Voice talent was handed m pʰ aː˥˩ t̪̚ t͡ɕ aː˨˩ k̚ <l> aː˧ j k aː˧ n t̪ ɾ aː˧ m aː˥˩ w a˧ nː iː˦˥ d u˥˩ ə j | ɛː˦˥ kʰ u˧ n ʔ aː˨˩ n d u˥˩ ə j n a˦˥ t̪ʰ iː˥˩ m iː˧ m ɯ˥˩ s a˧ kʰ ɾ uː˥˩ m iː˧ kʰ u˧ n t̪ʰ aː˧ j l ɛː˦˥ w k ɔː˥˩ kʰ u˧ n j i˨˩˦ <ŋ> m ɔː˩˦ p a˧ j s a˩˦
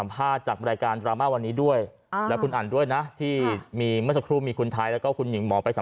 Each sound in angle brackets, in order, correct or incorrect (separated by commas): incorrect, correct